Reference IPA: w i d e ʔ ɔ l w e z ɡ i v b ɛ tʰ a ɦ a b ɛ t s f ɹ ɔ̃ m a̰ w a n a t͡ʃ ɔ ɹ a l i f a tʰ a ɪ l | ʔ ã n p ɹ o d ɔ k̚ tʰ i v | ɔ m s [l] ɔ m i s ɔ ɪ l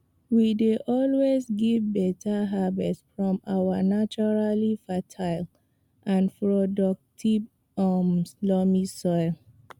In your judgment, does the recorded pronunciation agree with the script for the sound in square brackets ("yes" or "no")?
yes